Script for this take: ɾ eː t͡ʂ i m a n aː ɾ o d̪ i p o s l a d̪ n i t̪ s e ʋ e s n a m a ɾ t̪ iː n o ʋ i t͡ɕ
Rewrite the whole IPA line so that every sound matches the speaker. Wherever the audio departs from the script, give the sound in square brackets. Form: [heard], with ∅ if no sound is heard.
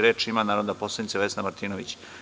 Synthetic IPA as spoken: ɾ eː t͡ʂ i m a n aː ɾ o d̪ [a] p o s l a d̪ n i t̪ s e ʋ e s n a m a ɾ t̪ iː n o ʋ i t͡ɕ